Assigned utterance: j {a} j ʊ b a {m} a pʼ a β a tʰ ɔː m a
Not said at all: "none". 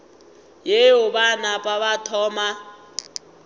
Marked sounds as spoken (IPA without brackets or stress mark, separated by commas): e, n